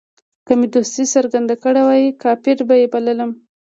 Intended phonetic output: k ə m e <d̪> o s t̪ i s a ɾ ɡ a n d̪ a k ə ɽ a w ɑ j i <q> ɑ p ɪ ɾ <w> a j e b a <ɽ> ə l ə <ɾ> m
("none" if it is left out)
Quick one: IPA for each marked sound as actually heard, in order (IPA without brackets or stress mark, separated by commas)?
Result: d̪, k, b, l, none